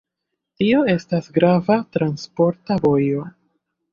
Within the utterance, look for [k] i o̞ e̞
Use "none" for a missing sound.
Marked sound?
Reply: t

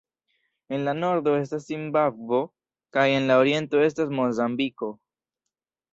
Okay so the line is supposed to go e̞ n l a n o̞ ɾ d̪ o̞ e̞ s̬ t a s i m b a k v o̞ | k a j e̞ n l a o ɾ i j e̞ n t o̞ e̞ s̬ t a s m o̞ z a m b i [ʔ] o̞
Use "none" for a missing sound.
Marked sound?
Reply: k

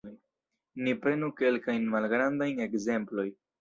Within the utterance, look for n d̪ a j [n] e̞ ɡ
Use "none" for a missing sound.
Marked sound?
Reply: n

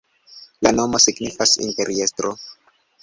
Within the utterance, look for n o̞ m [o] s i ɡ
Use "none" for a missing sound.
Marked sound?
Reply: o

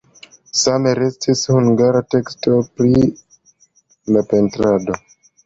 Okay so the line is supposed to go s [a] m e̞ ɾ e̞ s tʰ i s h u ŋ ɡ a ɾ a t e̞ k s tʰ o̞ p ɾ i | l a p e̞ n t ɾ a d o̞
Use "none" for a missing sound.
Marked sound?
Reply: a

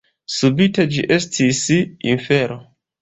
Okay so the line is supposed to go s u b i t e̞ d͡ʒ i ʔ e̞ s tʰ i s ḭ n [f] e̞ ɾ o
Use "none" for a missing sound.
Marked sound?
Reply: f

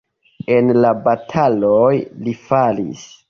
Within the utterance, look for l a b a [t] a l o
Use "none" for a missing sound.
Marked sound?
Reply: tʰ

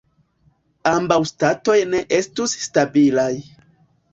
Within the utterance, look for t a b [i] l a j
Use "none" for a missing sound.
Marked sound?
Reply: i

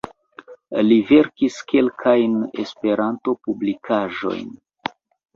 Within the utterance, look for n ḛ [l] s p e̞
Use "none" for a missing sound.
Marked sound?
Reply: none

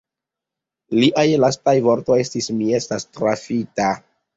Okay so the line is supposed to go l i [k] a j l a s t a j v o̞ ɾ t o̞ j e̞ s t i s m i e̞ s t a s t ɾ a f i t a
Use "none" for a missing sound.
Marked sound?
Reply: ʔ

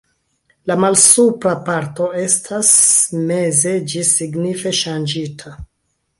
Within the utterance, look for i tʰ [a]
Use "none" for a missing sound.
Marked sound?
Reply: a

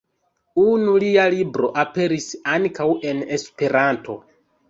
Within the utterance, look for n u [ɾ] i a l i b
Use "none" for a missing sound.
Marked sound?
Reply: l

